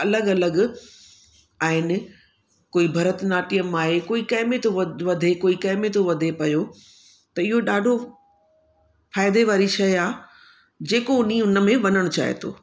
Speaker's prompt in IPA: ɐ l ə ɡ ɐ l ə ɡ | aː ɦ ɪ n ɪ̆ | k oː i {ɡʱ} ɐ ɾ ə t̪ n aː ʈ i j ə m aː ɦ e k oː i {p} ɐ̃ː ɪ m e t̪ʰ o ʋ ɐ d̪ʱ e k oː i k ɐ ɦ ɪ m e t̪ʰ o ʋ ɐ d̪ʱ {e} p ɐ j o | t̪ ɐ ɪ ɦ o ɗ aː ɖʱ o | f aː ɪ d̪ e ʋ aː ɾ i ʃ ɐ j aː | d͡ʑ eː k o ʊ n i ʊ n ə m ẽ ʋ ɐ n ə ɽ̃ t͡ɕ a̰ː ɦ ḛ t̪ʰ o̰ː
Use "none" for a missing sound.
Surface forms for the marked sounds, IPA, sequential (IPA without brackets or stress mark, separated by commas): bʱ, k, e